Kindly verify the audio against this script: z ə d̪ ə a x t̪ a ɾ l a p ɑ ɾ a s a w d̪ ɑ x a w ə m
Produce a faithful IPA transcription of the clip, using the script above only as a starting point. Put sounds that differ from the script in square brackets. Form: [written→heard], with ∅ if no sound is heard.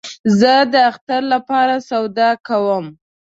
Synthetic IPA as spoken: z ə d̪ ə a x t̪ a ɾ l a p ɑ ɾ a s a w d̪ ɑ [x→k] a w ə m